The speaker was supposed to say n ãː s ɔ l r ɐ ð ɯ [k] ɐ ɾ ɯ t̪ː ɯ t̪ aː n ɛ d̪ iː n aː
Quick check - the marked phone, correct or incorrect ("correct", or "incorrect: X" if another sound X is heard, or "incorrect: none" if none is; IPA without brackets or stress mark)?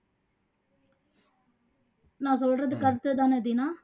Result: correct